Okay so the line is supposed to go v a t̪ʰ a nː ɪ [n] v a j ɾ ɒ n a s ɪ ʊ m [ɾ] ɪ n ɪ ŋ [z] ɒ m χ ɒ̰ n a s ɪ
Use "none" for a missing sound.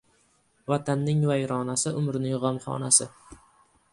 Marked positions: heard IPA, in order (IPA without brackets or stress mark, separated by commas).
ŋ, ɾ, ʁ